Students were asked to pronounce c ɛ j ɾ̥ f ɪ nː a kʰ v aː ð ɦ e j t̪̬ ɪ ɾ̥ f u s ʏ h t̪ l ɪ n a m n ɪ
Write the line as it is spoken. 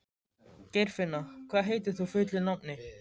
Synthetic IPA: c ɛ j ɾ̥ f ɪ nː a kʰ v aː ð ɦ e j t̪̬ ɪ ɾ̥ θ u f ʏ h t̪ l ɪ n a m n ɪ